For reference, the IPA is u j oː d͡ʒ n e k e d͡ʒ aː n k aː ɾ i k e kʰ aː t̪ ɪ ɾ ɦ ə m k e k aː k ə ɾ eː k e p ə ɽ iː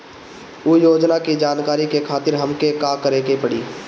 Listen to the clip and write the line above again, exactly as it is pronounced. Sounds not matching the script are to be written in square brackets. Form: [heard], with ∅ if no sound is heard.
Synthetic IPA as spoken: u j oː d͡ʒ n [a] k [i] d͡ʒ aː n k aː ɾ i k e kʰ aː t̪ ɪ ɾ ɦ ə m k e k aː k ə ɾ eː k e p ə ɽ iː